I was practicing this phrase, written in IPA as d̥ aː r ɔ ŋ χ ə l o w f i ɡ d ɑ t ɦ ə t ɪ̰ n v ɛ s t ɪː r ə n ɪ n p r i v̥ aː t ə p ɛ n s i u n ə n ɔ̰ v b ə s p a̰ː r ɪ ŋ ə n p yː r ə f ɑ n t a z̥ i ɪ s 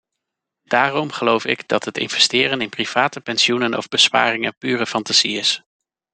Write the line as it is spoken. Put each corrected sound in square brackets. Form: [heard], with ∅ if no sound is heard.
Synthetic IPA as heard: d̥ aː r ɔ [m] χ ə l o w f [ɪ] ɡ d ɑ t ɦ ə t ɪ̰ n v ɛ s t ɪː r ə n ɪ n p r i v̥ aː t ə p ɛ n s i u n ə n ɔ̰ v b ə s p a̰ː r ɪ ŋ ə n p yː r ə f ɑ n t a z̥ i ɪ s